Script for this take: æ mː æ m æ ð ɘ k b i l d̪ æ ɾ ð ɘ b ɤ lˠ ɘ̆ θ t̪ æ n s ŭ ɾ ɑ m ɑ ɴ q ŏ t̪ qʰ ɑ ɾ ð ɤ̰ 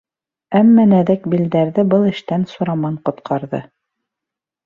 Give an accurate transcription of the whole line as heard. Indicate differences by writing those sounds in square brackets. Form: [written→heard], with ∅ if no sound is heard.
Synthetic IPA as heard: æ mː æ [m→n] æ ð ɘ k b i l d̪ æ ɾ ð ɘ b ɤ lˠ ɘ̆ [θ→ʃ] t̪ æ n s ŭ ɾ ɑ m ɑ ɴ q ŏ t̪ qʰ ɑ ɾ ð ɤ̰